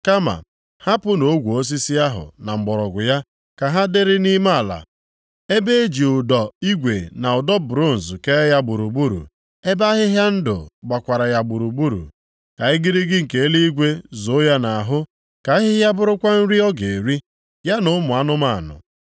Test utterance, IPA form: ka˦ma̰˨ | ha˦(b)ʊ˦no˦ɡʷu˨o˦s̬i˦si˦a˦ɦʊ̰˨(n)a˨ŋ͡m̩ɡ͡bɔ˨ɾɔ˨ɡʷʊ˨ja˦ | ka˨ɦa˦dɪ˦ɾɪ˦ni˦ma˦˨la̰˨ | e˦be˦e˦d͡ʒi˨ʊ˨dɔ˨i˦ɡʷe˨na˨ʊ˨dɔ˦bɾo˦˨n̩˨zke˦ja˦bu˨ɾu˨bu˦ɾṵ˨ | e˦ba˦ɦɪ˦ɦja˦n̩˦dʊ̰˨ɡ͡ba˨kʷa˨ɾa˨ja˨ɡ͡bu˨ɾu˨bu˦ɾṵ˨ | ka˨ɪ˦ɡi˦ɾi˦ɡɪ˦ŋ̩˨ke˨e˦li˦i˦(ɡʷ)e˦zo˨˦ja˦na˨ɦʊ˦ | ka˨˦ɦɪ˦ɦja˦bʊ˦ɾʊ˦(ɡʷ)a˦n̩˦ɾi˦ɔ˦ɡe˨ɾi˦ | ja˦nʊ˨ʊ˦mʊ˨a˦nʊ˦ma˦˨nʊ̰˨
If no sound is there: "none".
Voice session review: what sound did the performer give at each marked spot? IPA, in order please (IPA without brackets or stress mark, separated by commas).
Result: p, n, ɡʷ, kʷ